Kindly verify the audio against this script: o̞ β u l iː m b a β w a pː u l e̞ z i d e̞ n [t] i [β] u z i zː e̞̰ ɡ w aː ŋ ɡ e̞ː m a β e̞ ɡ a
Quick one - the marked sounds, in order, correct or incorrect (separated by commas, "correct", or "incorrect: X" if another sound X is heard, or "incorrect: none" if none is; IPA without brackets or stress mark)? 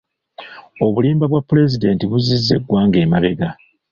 correct, correct